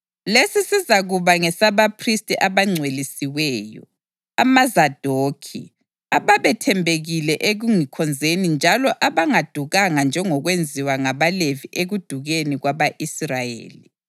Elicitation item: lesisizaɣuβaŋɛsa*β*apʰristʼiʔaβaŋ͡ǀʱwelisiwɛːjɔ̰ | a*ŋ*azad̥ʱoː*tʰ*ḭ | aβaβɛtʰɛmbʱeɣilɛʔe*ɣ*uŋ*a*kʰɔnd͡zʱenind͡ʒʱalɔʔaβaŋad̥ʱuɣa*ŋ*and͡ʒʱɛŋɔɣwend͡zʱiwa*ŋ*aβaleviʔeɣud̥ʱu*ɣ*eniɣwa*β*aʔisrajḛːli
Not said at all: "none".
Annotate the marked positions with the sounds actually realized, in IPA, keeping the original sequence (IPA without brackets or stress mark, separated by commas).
β, m, kʰ, ɣ, i, ŋ, ŋ, ɣ, β